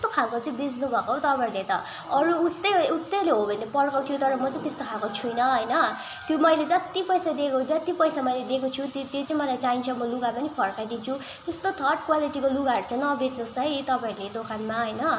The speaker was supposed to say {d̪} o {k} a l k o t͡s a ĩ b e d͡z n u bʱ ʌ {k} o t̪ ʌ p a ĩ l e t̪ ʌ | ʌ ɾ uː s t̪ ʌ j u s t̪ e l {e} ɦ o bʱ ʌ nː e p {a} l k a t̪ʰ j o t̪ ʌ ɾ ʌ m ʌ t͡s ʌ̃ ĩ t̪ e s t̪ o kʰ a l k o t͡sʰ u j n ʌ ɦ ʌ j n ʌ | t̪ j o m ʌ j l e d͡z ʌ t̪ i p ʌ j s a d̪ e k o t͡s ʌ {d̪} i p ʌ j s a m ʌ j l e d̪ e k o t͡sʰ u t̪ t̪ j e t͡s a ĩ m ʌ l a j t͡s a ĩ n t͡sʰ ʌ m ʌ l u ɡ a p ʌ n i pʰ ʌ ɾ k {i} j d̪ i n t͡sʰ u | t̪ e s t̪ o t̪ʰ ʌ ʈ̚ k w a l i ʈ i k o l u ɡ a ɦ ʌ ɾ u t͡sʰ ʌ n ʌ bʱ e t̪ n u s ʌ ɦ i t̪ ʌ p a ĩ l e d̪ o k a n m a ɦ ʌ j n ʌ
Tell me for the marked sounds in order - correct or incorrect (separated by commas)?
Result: incorrect, incorrect, correct, correct, incorrect, incorrect, incorrect